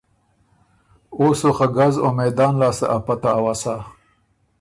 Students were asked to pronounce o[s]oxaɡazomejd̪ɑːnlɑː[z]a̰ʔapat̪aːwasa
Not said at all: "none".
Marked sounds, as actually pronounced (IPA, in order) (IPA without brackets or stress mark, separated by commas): s, s